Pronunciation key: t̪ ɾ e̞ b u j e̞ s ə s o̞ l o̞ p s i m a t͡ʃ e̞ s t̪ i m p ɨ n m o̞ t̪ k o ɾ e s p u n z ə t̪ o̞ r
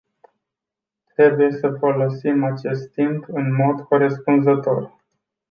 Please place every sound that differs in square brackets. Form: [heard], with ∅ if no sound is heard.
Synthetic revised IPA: t̪ ɾ e̞ b u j e̞ s ə [f] o̞ l o̞ [∅] s i m a t͡ʃ e̞ s t̪ i m p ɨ n m o̞ [d̪] k o ɾ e s p u n z ə t̪ o̞ r